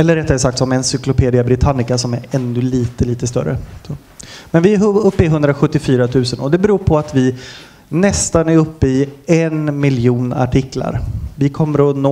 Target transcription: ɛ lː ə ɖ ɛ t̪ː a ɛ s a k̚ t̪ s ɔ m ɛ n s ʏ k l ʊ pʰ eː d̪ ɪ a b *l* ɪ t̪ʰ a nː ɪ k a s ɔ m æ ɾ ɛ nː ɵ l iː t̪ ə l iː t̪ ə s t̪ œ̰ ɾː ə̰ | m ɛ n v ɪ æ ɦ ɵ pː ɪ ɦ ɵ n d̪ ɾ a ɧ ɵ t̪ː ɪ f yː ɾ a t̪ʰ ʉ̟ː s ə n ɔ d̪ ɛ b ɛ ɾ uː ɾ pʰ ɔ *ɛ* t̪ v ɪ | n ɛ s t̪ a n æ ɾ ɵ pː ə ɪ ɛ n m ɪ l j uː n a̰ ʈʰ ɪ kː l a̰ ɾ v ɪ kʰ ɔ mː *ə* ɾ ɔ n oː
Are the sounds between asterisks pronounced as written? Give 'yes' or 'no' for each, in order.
no, no, yes

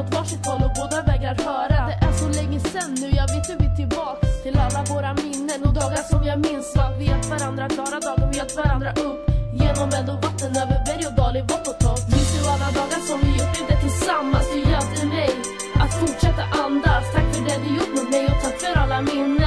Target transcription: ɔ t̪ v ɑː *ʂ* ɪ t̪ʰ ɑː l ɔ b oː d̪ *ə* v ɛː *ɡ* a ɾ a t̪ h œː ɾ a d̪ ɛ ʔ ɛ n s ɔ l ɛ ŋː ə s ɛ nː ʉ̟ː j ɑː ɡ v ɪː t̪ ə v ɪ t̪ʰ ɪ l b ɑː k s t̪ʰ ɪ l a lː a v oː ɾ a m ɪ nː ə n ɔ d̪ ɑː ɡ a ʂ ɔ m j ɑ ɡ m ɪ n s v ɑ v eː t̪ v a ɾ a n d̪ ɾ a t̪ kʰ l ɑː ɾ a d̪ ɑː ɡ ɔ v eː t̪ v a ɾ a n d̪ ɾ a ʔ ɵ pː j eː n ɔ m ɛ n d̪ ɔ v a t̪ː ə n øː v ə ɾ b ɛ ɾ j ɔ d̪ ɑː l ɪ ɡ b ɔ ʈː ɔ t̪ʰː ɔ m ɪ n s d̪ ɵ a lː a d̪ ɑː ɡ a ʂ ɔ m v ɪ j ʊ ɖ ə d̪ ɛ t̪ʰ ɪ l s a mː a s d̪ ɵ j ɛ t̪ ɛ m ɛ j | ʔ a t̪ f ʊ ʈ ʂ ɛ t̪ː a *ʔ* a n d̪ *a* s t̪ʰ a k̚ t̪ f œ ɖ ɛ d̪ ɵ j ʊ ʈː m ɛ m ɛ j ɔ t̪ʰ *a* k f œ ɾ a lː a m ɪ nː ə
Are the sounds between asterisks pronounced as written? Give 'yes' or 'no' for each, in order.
yes, no, yes, yes, yes, yes

